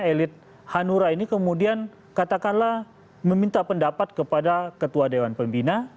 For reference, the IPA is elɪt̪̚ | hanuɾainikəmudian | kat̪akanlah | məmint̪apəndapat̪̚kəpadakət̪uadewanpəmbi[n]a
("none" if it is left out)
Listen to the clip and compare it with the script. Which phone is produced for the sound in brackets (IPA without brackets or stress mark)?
n